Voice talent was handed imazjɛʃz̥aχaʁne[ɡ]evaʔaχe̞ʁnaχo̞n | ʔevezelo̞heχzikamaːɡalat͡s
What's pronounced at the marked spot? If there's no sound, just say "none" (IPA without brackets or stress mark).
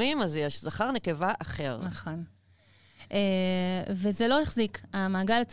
k